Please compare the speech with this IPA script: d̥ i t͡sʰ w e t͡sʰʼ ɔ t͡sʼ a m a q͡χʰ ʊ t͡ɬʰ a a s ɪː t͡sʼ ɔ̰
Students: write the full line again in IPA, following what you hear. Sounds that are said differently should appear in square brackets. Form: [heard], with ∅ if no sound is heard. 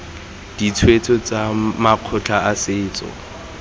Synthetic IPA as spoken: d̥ i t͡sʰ w e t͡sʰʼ ɔ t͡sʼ a m a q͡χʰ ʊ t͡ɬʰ a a s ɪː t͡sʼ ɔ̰